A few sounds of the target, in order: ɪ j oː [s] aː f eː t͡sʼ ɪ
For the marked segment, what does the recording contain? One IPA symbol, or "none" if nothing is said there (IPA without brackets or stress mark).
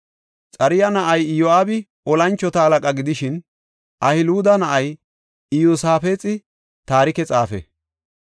s